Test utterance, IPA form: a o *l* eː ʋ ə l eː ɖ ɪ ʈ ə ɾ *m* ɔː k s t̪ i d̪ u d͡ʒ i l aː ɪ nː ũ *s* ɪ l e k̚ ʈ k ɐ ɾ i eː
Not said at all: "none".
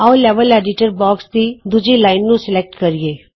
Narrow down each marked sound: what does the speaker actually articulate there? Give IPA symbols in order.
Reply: l, b, s

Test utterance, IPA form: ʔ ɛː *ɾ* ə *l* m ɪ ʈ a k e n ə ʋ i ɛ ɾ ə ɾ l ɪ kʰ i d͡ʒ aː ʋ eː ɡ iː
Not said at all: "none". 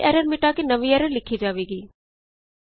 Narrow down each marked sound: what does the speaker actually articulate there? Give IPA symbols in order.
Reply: ɾ, ɾ

